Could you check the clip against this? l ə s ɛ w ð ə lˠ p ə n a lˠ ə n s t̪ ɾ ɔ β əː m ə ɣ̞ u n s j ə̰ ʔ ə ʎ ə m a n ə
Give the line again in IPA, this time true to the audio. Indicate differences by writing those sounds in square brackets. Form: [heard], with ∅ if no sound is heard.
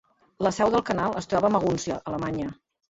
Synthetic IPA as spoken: l ə s ɛ w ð ə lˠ [k] ə n a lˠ ə [∅] s t̪ ɾ ɔ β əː m ə ɣ̞ u n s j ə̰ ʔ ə [l] ə m a [ɲ] ə